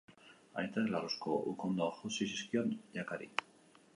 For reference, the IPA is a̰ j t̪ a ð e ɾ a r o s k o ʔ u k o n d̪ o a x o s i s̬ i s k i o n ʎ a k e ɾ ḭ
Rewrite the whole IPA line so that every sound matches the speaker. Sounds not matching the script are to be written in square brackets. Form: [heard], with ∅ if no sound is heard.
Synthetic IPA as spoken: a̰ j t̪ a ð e [l] a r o s k o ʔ u k o n d̪ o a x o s i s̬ i s k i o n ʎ a k [a] ɾ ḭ